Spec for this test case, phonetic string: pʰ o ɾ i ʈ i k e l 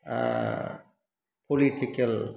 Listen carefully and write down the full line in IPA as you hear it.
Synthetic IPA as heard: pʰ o l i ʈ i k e l

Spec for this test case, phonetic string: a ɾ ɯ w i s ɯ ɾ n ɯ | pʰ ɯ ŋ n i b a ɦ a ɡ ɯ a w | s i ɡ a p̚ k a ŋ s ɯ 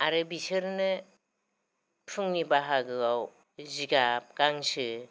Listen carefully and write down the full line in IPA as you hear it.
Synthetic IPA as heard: a ɾ ɯ b i s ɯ ɾ n ɯ | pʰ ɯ ŋ n i b a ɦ a ɡ ɯ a w | z i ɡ a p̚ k a ŋ s ɯ

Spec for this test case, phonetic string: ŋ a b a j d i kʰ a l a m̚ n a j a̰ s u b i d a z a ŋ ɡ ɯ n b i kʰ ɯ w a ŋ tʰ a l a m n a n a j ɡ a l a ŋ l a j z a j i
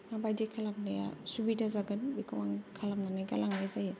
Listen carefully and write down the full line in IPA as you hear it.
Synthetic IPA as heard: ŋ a b a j d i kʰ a l a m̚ n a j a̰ s u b i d a z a ɡ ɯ n b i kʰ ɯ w a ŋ kʰ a l a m n a n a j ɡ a l a ŋ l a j z a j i

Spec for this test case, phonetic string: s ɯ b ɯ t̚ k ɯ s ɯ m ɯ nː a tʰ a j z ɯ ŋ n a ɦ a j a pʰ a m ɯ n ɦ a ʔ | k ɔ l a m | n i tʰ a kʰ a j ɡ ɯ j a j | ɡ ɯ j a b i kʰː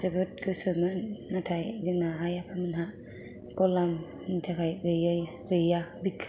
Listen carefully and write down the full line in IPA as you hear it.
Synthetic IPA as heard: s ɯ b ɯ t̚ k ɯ s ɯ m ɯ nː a tʰ a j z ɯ ŋ n a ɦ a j a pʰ a m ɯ n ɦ a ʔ | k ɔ l a m | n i tʰ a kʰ a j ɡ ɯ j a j | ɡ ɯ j a b i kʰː

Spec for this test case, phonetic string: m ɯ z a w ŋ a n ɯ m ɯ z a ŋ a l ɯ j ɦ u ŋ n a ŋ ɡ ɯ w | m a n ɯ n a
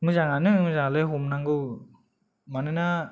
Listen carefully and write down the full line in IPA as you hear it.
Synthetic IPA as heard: m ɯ z a ŋ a n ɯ m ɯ z a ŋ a l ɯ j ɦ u m n a ŋ ɡ ɯ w | m a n ɯ n a

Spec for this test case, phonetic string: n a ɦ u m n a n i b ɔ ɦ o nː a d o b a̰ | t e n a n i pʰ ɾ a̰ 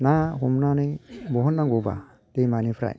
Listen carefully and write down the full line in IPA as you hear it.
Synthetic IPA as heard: n a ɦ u m n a n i b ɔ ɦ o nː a ɡ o b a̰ | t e m a n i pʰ ɾ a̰

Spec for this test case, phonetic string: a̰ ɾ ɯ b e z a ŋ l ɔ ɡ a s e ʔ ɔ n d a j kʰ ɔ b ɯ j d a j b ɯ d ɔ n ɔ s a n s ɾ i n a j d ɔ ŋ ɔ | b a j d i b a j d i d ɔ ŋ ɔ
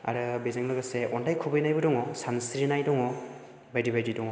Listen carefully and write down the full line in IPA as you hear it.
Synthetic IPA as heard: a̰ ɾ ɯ b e z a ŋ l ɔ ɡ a s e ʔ ɔ n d a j kʰ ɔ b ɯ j n a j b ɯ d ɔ ŋ ɔ s a n s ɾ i n a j d ɔ ŋ ɔ | b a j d i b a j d i d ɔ ŋ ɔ

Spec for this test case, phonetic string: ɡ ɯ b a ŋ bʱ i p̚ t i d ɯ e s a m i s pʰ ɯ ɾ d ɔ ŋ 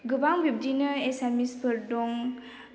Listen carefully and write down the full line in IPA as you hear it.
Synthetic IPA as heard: ɡ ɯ b a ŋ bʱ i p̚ d i n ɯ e s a m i s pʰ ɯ ɾ d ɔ ŋ

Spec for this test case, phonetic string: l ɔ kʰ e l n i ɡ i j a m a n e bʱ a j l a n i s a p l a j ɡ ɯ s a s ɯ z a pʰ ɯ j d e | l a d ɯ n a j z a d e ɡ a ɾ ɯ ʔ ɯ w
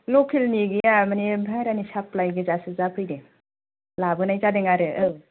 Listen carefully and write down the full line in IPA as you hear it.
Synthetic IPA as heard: l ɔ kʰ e l n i ɡ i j a m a n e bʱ a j ɾ a n i s a p l a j ɡ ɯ z a s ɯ z a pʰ ɯ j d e | l a b ɯ n a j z a d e ŋ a ɾ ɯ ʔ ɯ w

